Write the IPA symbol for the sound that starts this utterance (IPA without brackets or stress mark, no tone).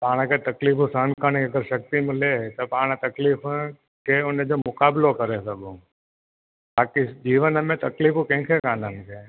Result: p